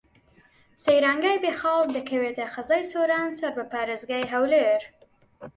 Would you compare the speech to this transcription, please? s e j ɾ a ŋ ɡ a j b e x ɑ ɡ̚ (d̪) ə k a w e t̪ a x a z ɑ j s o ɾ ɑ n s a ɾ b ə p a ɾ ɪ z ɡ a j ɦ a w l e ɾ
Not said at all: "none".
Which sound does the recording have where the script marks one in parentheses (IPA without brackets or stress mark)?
d̪